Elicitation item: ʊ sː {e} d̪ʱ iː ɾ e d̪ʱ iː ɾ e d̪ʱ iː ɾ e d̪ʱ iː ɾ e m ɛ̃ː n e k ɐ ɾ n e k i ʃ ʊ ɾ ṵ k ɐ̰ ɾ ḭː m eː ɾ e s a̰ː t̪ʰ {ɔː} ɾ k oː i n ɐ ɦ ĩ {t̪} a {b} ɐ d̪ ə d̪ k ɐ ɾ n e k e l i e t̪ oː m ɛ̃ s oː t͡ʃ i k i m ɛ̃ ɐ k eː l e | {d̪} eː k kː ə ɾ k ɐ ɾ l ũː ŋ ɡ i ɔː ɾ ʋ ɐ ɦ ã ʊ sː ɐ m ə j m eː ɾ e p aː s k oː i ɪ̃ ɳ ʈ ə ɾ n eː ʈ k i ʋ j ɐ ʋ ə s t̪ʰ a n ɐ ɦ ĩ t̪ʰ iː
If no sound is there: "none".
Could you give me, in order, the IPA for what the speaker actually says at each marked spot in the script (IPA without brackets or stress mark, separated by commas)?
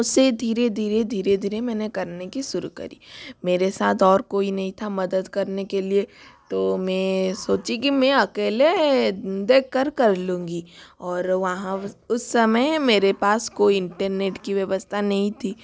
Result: e, ɔː, t̪ʰ, m, d̪